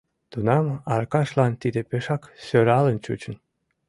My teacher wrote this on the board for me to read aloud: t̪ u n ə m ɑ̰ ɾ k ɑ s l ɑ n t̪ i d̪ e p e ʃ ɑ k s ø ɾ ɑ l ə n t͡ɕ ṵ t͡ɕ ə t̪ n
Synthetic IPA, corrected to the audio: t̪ u n ɑ m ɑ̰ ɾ k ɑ ʃ l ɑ n t̪ i d̪ e p e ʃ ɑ k s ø ɾ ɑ l ə n t͡ɕ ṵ t͡ɕ ə n